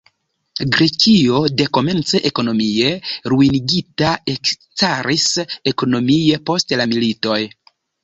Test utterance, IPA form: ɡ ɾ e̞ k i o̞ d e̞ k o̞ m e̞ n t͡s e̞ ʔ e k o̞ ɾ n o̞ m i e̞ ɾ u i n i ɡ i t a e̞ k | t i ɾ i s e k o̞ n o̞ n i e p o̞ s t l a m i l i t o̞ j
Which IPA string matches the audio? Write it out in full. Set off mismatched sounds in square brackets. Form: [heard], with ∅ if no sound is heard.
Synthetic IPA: ɡ ɾ e̞ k i o̞ d e̞ k o̞ m e̞ n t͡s e̞ ʔ e k o̞ [∅] n o̞ m i e̞ ɾ u i n i ɡ i t a e̞ k | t [a] ɾ i s e k o̞ n o̞ [m] i e p o̞ s t l a m i l i t o̞ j